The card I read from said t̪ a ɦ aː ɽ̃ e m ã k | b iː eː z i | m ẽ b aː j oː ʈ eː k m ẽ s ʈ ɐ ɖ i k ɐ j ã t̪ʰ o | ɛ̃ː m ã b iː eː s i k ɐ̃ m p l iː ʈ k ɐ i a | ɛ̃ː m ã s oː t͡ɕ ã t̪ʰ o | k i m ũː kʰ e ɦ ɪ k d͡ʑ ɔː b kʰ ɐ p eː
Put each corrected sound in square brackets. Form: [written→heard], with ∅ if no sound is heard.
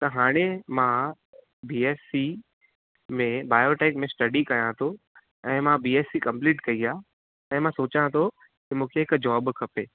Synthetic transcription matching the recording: t̪ [a→ɐ] ɦ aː ɽ̃ e m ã [k→∅] | b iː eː [z→s] i | m ẽ b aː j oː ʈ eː k m ẽ s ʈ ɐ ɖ i k ɐ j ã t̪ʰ o | ɛ̃ː m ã b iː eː s i k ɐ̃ m p l iː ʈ k ɐ i a | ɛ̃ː m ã s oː t͡ɕ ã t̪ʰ o | k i m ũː kʰ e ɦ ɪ k d͡ʑ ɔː b kʰ ɐ p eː